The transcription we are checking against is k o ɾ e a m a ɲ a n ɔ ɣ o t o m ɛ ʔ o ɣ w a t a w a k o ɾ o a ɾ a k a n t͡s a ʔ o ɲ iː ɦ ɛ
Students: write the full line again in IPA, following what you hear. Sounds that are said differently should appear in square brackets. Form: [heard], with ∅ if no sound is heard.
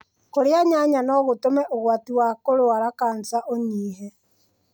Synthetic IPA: k o ɾ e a [ɲ] a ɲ a n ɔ ɣ o t o m ɛ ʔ o ɣ w a t [i] w a k o ɾ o a ɾ a k a n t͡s a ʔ o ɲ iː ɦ ɛ